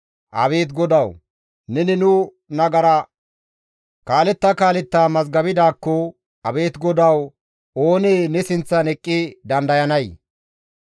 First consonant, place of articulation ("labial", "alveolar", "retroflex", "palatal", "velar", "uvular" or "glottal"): glottal